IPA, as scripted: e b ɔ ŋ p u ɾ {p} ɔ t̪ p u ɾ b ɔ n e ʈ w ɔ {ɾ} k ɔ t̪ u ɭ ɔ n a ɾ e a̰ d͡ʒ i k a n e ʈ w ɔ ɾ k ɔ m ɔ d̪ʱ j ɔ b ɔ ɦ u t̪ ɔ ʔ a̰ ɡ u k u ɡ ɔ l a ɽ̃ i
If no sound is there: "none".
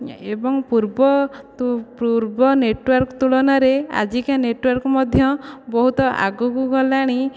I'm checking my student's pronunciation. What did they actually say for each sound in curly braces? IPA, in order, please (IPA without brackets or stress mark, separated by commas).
b, ɾ